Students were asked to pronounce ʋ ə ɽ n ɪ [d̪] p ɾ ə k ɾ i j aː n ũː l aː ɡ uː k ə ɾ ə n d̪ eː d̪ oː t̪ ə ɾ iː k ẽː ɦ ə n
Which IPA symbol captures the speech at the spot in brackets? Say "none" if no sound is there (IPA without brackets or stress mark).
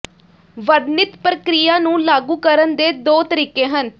t̪